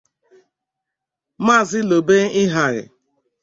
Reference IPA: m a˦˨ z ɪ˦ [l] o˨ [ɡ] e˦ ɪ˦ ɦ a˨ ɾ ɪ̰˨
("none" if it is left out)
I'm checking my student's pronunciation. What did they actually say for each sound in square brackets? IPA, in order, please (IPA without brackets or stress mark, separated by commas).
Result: l, b